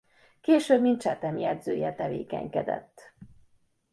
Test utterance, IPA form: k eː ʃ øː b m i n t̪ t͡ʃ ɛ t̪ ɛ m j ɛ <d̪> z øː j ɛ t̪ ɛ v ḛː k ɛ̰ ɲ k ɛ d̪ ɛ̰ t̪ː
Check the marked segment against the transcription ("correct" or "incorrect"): correct